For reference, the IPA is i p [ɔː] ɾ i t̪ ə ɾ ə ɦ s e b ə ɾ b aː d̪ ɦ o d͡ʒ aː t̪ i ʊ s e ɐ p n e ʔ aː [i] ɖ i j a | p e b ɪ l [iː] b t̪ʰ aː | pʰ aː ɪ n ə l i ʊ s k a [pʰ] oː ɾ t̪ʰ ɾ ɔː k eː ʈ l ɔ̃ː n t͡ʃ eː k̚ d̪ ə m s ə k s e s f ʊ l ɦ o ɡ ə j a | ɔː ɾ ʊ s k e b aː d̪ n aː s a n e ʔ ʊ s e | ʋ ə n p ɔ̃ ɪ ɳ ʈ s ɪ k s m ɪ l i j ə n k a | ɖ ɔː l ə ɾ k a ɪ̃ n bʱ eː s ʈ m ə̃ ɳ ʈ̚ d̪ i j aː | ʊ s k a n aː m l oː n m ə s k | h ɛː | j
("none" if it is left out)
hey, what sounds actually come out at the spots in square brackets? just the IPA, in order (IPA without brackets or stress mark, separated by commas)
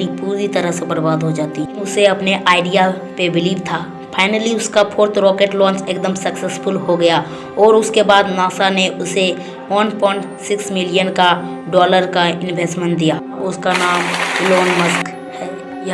uː, ɪ, iː, pʰ